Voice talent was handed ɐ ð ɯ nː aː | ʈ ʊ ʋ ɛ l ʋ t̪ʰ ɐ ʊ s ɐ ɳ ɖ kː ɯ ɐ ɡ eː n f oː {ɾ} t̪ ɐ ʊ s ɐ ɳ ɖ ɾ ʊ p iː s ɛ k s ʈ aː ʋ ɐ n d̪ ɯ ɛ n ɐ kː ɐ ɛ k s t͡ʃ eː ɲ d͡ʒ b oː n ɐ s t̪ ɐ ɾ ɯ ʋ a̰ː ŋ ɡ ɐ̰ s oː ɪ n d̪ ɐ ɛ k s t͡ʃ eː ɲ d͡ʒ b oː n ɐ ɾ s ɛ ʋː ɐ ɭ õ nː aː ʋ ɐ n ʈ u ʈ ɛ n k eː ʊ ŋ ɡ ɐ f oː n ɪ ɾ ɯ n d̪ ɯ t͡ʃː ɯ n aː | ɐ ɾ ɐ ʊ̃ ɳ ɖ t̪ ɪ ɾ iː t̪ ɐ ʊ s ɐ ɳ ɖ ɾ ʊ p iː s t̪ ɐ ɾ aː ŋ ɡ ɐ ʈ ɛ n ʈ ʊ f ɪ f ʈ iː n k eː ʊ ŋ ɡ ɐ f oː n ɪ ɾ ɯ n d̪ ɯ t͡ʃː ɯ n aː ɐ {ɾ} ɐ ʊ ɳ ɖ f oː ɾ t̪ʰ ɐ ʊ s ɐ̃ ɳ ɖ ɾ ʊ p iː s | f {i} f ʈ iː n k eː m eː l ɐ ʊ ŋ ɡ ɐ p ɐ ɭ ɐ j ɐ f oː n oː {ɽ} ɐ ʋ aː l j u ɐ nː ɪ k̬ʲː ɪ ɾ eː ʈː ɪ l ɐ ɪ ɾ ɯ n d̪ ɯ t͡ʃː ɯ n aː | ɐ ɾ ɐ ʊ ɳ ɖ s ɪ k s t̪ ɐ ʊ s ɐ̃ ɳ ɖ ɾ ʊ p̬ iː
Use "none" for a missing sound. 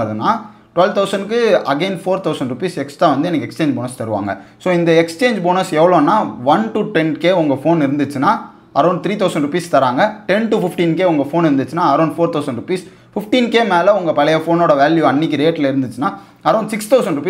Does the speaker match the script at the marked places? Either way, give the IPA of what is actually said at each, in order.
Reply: ɾ, ɾ, ɪ, ɽ

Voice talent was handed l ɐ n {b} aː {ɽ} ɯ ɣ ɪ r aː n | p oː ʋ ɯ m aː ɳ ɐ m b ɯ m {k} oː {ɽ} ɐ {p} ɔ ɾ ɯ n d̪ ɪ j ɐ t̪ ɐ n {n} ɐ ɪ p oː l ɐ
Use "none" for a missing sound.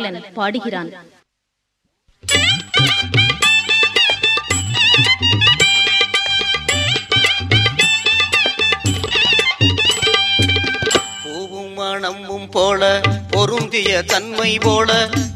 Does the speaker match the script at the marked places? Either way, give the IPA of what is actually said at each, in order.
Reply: p, ɽ, p, l, p, m

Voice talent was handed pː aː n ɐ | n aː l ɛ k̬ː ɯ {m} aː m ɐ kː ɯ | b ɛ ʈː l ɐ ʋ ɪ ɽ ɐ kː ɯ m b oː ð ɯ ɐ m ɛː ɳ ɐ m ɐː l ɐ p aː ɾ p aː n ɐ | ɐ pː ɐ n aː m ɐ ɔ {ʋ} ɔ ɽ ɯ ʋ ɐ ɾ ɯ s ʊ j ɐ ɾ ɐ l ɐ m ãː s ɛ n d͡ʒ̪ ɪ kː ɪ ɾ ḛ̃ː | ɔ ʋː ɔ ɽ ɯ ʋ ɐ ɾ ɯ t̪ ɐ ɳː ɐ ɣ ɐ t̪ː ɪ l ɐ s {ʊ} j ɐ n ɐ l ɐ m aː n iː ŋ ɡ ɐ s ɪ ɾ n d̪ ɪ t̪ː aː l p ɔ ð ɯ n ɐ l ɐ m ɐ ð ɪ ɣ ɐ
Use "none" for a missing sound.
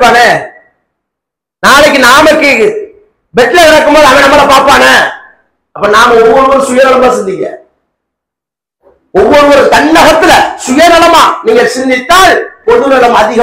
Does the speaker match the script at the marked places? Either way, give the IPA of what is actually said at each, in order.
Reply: n, ʋː, ʊ

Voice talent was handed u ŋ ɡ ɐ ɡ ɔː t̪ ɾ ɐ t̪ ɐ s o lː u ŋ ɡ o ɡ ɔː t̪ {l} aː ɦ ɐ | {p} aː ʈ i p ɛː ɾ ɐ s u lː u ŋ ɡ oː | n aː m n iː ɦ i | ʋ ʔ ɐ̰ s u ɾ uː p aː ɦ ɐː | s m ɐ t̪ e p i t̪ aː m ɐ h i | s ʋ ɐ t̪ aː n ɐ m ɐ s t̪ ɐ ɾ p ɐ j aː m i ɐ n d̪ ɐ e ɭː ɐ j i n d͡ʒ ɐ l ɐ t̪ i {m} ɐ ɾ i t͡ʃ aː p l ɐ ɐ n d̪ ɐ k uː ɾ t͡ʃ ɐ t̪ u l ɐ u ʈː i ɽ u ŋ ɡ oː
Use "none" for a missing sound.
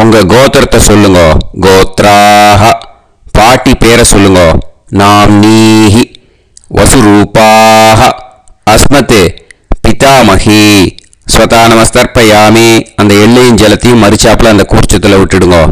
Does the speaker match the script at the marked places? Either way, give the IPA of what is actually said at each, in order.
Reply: ɾ, p, m

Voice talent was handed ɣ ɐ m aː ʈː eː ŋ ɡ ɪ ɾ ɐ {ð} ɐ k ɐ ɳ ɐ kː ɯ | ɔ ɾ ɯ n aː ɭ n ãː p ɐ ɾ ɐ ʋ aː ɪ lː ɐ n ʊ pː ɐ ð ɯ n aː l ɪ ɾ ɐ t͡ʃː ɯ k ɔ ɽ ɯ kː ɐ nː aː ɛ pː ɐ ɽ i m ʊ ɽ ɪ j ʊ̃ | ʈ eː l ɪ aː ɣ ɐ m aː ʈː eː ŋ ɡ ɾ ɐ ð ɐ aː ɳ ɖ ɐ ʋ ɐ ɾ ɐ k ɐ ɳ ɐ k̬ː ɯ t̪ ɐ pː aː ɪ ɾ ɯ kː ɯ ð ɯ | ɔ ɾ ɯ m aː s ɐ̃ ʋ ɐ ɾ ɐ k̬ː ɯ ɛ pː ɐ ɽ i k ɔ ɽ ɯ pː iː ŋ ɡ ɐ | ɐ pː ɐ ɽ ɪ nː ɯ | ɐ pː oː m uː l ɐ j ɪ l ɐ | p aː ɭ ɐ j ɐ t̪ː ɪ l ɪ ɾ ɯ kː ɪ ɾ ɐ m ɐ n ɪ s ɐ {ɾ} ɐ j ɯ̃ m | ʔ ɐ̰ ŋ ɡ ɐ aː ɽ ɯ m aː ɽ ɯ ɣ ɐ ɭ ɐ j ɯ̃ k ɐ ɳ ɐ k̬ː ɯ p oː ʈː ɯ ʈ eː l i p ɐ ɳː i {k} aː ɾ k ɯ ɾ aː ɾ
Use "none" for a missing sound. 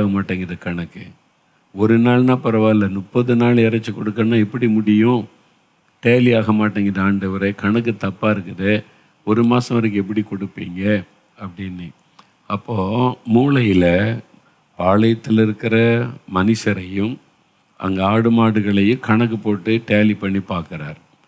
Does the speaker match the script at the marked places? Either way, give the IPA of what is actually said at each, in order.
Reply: ð, ɾ, p

